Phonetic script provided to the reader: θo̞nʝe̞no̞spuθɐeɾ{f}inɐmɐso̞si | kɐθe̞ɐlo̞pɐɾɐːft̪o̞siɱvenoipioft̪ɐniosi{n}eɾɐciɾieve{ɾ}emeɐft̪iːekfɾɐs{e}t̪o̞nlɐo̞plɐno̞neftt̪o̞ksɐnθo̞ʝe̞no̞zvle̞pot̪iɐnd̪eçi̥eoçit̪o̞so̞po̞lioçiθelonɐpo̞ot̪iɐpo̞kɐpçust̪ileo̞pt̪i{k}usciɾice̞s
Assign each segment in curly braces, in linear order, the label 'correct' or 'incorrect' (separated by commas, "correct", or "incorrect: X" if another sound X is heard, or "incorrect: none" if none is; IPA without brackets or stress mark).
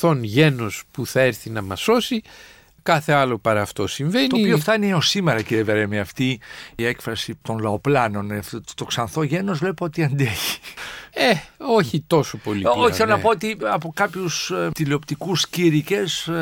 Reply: incorrect: θ, incorrect: m, correct, incorrect: i, correct